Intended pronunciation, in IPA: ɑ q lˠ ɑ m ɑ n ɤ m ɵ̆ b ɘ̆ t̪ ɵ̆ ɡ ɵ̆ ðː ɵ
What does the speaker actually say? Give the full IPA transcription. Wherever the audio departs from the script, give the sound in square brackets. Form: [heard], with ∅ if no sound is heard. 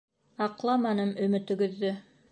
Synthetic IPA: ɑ q lˠ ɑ m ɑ n ɤ m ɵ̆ [m] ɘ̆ t̪ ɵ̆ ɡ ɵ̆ ðː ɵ